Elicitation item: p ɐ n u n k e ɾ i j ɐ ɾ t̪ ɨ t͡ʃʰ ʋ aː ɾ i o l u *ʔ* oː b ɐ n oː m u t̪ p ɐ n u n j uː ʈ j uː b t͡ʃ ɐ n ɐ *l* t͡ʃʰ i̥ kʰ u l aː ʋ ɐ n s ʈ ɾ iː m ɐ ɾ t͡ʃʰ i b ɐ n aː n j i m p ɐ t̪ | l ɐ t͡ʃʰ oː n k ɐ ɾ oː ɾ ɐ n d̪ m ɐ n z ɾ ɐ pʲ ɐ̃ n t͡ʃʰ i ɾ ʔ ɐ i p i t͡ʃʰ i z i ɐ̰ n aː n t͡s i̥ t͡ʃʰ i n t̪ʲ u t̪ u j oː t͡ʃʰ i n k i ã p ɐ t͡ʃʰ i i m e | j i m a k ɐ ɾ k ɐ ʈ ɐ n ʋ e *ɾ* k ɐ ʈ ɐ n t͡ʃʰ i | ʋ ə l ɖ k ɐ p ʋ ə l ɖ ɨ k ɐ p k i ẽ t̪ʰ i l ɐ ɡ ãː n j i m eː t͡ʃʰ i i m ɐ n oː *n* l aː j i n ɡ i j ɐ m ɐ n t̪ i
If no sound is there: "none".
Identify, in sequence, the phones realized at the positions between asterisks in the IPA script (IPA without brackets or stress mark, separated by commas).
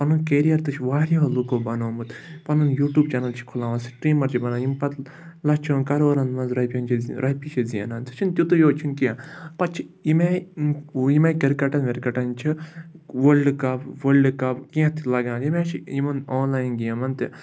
k, l, ɾ, n